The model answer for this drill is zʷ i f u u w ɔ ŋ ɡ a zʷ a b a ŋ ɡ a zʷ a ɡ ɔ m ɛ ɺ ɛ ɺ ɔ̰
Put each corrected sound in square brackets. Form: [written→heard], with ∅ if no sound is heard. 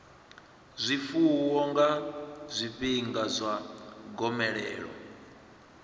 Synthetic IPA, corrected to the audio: zʷ i f u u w ɔ ŋ ɡ a zʷ [a→i] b [a→i] ŋ ɡ a zʷ a ɡ ɔ m ɛ ɺ [ɛ→ɛː] ɺ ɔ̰